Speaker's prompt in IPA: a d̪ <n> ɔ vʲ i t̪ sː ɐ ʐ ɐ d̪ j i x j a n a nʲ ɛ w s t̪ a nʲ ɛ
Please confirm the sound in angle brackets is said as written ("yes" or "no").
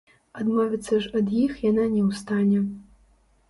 no